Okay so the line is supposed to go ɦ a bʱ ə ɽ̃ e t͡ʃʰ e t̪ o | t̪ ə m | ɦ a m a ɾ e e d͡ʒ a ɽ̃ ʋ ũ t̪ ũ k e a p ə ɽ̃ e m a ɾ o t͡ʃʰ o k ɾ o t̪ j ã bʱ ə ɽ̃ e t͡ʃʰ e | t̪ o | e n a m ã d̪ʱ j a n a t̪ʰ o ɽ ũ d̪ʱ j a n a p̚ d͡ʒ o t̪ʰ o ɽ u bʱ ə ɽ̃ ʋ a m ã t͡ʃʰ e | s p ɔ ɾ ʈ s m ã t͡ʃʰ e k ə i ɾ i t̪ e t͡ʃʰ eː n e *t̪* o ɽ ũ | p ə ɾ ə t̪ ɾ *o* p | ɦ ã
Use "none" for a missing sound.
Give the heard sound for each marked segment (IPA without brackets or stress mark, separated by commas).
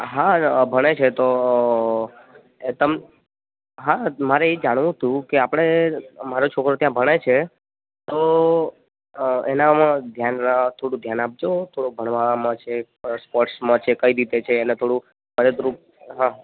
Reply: t̪ʰ, u